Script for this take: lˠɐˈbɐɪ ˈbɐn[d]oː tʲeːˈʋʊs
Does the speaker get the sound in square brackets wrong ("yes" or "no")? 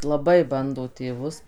no